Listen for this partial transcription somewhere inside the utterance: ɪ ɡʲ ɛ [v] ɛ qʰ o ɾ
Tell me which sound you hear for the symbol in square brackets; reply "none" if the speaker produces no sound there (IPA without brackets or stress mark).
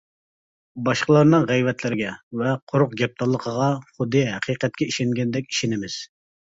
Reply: v